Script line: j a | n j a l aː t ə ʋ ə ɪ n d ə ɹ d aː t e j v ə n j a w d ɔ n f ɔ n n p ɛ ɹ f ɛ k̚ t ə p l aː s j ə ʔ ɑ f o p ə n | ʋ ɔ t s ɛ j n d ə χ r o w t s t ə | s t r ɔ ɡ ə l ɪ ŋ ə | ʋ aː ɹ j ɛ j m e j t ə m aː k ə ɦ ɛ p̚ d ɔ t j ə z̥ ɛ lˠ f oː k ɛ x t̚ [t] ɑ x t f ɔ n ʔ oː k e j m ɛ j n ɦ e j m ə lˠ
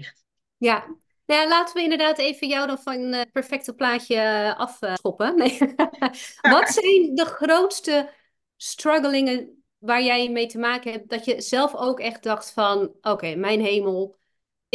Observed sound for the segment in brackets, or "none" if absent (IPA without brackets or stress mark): d